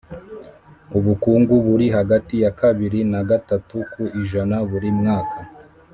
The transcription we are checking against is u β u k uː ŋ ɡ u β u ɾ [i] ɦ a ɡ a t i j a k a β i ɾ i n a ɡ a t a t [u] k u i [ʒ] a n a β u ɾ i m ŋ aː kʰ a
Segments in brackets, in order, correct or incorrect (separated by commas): correct, correct, correct